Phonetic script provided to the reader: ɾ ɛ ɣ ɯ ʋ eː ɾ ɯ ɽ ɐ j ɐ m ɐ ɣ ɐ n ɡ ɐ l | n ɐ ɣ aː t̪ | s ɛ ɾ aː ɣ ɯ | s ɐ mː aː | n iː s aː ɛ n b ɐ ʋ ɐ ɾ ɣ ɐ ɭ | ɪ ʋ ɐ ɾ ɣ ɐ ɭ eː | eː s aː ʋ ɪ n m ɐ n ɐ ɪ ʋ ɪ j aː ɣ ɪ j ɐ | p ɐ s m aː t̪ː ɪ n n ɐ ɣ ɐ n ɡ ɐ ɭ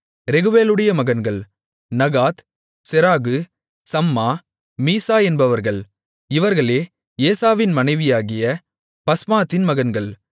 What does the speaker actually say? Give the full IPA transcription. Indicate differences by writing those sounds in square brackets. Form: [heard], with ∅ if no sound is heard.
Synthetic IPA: ɾ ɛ ɣ ɯ ʋ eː [l] ɯ ɽ ɐ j ɐ m ɐ ɣ ɐ n ɡ ɐ [ɭ] | n ɐ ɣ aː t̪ | s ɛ ɾ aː ɣ ɯ | s ɐ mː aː | [m] iː s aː ɛ n b ɐ ʋ ɐ ɾ ɣ ɐ ɭ | ɪ ʋ ɐ ɾ ɣ ɐ ɭ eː | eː s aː ʋ ɪ n m ɐ n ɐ ɪ ʋ ɪ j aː ɣ ɪ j ɐ | p ɐ s m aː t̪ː ɪ n [m] ɐ ɣ ɐ n ɡ ɐ ɭ

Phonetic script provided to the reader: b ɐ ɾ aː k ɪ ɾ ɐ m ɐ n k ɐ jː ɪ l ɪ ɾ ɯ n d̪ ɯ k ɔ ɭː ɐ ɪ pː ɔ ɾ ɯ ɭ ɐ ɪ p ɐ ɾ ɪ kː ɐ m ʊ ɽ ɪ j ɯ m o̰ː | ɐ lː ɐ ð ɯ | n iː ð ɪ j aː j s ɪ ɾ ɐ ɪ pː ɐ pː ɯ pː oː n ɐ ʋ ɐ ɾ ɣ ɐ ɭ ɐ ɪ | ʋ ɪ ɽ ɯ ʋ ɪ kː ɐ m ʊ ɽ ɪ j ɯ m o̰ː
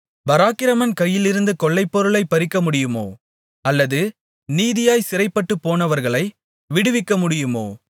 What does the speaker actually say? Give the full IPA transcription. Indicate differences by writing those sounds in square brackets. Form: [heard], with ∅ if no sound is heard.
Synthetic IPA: b ɐ ɾ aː k ɪ ɾ ɐ m ɐ n k ɐ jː ɪ l ɪ ɾ ɯ n d̪ ɯ k ɔ ɭː ɐ ɪ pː ɔ ɾ ɯ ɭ ɐ ɪ p ɐ ɾ ɪ kː ɐ m ʊ ɽ ɪ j ɯ m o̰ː | ɐ lː ɐ ð ɯ | n iː ð ɪ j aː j s ɪ ɾ ɐ ɪ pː ɐ [ʈː] ɯ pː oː n ɐ ʋ ɐ ɾ ɣ ɐ ɭ ɐ ɪ | ʋ ɪ ɽ ɯ ʋ ɪ kː ɐ m ʊ ɽ ɪ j ɯ m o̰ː

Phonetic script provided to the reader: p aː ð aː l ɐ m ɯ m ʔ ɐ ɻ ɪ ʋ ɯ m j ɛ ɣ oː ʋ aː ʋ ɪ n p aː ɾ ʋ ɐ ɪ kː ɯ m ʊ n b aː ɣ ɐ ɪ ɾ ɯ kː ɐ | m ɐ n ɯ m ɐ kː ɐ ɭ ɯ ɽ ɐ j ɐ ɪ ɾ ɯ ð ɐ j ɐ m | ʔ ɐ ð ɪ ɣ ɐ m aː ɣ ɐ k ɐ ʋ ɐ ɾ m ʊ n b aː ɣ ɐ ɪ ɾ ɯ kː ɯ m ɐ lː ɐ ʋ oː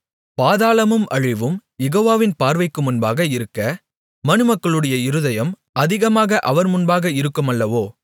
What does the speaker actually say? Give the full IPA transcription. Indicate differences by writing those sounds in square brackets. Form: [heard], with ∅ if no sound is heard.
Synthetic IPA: p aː ð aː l ɐ m ɯ m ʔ ɐ ɻ ɪ ʋ ɯ m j ɛ ɣ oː ʋ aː ʋ ɪ n p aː ɾ ʋ ɐ ɪ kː ɯ m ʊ n b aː ɣ ɐ ɪ ɾ ɯ kː ɐ | m ɐ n ɯ m ɐ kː ɐ ɭ ɯ ɽ ɐ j ɐ ɪ ɾ ɯ ð ɐ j ɐ m | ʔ ɐ ð ɪ ɣ ɐ m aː ɣ ɐ [ʔ] ɐ ʋ ɐ ɾ m ʊ n b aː ɣ ɐ ɪ ɾ ɯ kː ɯ m ɐ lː ɐ ʋ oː

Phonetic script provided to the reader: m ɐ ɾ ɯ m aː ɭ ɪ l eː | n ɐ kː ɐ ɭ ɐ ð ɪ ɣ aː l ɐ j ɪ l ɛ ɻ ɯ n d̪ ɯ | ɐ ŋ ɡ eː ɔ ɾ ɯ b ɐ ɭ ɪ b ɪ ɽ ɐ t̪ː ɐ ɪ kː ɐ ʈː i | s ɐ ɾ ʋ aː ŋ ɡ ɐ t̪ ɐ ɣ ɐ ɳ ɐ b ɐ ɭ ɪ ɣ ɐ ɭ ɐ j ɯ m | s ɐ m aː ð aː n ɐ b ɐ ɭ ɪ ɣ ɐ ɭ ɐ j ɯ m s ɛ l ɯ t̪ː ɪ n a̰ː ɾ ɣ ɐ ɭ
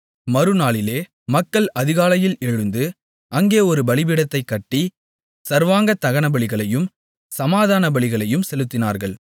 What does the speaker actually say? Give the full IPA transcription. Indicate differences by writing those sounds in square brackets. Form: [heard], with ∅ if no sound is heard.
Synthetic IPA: m ɐ ɾ ɯ [n] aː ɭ ɪ l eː | [m] ɐ kː ɐ ɭ ɐ ð ɪ ɣ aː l ɐ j ɪ l ɛ ɻ ɯ n d̪ ɯ | ɐ ŋ ɡ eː ɔ ɾ ɯ b ɐ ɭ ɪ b ɪ ɽ ɐ t̪ː ɐ ɪ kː ɐ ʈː i | s ɐ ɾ ʋ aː ŋ ɡ ɐ t̪ ɐ ɣ ɐ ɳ ɐ b ɐ ɭ ɪ ɣ ɐ ɭ ɐ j ɯ m | s ɐ m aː ð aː n ɐ b ɐ ɭ ɪ ɣ ɐ ɭ ɐ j ɯ m s ɛ l ɯ t̪ː ɪ n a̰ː ɾ ɣ ɐ ɭ

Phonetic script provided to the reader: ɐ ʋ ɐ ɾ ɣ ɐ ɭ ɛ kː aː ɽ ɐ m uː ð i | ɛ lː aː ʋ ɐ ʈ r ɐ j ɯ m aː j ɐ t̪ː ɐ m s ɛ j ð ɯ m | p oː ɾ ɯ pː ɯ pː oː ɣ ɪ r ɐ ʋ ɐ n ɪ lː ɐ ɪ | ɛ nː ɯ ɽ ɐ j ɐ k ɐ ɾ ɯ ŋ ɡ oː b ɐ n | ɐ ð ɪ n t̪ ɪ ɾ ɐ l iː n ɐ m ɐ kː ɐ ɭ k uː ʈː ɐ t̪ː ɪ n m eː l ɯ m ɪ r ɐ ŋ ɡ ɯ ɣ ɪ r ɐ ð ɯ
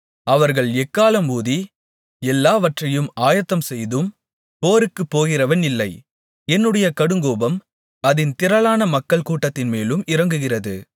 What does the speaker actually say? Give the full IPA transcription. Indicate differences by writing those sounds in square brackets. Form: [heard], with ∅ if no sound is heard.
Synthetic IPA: ɐ ʋ ɐ ɾ ɣ ɐ ɭ ɛ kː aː [l] ɐ m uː ð i | ɛ lː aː ʋ ɐ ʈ r ɐ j ɯ m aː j ɐ t̪ː ɐ m s ɛ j ð ɯ m | p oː ɾ ɯ [kː] ɯ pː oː ɣ ɪ r ɐ ʋ ɐ n ɪ lː ɐ ɪ | ɛ nː ɯ ɽ ɐ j ɐ k ɐ [ɽ] ɯ ŋ ɡ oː b ɐ [m] | ɐ ð ɪ n t̪ ɪ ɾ ɐ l [aː] n ɐ m ɐ kː ɐ ɭ k uː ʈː ɐ t̪ː ɪ n m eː l ɯ m ɪ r ɐ ŋ ɡ ɯ ɣ ɪ r ɐ ð ɯ

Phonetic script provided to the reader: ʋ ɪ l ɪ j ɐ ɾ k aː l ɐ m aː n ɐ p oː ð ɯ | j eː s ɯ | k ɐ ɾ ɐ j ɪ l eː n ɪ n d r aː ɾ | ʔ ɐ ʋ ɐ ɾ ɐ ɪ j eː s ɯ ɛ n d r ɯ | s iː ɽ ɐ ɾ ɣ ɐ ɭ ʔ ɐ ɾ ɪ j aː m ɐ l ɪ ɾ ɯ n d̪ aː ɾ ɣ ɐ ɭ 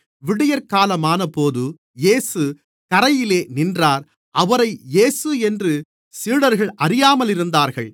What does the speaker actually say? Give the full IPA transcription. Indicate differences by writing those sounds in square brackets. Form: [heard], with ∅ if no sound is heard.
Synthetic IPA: ʋ ɪ [ɽ] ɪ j ɐ ɾ k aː l ɐ m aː n ɐ p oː ð ɯ | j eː s ɯ | k ɐ ɾ ɐ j ɪ l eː n ɪ n d r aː ɾ | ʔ ɐ ʋ ɐ ɾ ɐ ɪ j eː s ɯ ɛ n d r ɯ | s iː ɽ ɐ ɾ ɣ ɐ ɭ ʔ ɐ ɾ ɪ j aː m ɐ l ɪ ɾ ɯ n d̪ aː ɾ ɣ ɐ ɭ

